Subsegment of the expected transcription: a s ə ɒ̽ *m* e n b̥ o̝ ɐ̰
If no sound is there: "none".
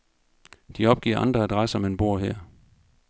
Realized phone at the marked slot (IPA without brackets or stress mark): m